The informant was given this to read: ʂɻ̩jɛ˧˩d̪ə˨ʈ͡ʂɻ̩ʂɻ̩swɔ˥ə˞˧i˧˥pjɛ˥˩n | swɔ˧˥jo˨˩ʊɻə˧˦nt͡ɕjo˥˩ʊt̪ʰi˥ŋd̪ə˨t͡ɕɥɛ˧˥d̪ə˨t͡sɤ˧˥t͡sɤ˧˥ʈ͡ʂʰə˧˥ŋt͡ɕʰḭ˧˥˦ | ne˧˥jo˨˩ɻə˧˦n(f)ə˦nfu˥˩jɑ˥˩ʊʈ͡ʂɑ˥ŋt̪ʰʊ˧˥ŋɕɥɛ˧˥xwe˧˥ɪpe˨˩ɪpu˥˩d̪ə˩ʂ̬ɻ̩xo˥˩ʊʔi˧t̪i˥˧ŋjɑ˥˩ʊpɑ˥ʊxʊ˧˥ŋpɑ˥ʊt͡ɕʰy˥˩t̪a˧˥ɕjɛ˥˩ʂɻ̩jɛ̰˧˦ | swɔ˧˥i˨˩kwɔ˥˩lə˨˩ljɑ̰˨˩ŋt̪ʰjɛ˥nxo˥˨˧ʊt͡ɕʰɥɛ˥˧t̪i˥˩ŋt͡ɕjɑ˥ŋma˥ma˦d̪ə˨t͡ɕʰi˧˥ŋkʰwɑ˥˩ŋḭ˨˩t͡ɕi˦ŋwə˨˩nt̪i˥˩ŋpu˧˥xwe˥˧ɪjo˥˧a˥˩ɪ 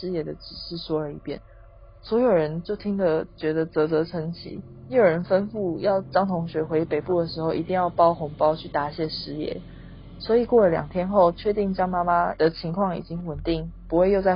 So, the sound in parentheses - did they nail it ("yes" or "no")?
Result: yes